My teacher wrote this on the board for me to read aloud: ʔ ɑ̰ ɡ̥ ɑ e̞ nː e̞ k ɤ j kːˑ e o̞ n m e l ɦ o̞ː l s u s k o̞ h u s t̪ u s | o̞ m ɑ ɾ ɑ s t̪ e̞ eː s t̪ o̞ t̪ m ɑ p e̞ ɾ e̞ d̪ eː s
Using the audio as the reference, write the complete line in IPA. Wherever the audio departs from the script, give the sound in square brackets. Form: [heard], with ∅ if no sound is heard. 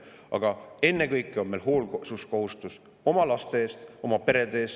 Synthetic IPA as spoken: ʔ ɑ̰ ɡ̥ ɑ e̞ nː e̞ k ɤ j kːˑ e o̞ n m e l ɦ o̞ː l s u s k o̞ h u s t̪ u s | o̞ m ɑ [l] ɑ s t̪ e̞ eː s t̪ o̞ [∅] m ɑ p e̞ ɾ e̞ d̪ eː s